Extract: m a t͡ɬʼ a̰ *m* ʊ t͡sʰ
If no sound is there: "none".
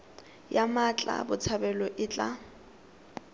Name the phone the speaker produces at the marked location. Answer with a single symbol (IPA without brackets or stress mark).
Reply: b